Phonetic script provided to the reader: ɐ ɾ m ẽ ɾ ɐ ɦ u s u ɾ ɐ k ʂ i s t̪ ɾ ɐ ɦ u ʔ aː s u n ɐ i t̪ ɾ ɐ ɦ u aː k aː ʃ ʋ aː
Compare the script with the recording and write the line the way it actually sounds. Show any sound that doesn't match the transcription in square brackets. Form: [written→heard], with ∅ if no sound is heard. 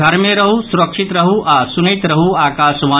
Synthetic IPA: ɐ ɾ m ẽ ɾ ɐ ɦ u s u ɾ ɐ k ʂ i [s→∅] t̪ ɾ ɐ ɦ u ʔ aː s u n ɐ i t̪ ɾ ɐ ɦ u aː k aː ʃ ʋ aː